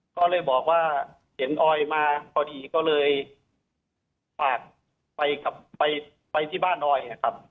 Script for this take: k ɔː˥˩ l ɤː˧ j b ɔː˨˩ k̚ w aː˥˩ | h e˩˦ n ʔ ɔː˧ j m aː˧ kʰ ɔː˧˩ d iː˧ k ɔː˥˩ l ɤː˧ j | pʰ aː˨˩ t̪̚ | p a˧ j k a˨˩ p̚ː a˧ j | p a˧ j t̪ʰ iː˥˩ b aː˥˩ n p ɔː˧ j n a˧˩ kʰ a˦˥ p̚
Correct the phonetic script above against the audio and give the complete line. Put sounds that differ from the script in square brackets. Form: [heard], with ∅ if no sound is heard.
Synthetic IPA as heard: k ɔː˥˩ l ɤː˧ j b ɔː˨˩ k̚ w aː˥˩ | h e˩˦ n ʔ ɔː˧ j m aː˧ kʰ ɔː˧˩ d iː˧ k ɔː˥˩ l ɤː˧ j | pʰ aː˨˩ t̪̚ | p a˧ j k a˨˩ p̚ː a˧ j | p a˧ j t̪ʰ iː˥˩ b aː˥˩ n [ʔ] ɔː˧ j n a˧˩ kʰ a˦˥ p̚